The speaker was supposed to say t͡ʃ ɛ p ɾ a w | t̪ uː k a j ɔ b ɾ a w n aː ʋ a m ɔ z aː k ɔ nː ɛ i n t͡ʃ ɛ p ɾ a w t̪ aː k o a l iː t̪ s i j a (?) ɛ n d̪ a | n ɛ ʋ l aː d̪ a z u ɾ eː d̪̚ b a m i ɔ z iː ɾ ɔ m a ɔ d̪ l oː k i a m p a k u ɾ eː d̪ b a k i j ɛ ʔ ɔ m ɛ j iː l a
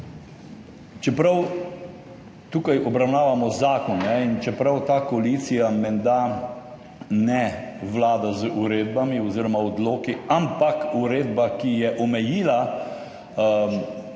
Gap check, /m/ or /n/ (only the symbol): m